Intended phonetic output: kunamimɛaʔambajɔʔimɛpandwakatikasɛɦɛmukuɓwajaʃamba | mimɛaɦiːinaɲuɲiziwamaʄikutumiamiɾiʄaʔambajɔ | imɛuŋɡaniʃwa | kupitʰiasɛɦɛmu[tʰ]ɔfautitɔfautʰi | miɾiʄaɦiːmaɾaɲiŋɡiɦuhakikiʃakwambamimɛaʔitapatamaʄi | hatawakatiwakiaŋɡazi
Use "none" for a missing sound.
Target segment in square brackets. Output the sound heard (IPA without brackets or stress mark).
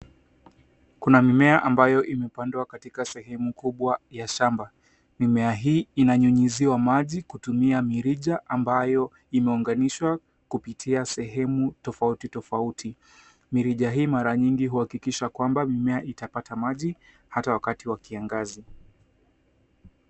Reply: t